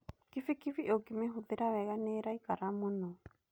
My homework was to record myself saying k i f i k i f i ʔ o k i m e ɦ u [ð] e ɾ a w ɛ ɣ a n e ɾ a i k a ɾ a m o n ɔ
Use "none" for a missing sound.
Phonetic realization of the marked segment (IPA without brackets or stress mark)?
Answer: ð